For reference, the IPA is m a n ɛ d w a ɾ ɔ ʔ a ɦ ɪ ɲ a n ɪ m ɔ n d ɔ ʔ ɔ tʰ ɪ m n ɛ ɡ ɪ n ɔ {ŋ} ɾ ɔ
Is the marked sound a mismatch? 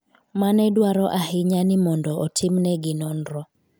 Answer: yes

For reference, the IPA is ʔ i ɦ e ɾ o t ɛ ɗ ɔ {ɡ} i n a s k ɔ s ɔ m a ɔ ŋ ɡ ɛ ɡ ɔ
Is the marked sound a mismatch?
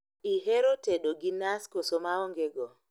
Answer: no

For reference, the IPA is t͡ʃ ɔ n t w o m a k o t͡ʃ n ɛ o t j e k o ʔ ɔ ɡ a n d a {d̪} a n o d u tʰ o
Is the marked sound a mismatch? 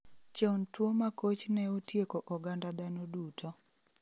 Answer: no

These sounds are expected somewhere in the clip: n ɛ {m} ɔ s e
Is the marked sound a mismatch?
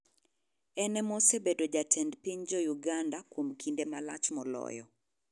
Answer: no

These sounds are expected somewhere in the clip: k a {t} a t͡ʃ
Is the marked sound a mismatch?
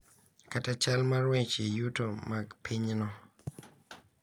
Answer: no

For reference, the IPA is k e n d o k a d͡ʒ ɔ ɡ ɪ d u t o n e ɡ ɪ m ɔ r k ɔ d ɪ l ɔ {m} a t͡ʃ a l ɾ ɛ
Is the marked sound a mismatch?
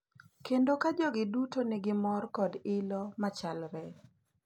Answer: no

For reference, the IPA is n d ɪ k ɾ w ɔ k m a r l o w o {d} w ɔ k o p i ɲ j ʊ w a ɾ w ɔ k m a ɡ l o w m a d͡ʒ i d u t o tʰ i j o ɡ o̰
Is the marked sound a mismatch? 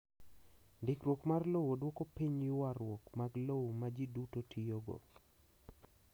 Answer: no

